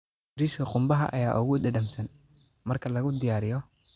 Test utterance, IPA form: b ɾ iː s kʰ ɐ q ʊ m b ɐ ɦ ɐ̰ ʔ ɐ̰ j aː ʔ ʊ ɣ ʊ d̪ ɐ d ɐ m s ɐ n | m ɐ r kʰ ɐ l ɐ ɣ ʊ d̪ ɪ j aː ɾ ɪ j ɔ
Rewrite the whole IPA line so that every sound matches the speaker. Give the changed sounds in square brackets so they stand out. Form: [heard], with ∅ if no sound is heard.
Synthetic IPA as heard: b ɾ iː s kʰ ɐ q ʊ m b ɐ ɦ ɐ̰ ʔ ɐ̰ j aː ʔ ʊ ɣ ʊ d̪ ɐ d ɐ m s ɐ n | m ɐ r kʰ ɐ l ɐ ɣ ʊ d̪ ɪ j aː ɾ ɪ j ɔ